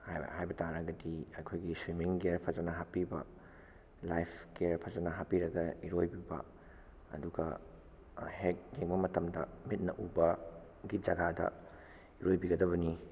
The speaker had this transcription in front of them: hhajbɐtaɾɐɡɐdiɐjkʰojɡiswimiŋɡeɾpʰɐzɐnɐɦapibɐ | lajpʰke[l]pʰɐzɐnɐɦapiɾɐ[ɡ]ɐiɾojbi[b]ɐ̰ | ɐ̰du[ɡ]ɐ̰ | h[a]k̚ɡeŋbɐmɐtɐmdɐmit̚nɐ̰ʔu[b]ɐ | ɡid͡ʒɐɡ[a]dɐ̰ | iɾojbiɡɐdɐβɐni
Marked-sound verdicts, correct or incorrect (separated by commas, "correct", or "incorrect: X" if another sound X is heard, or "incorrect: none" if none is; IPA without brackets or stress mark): incorrect: ɾ, correct, correct, correct, incorrect: e, correct, correct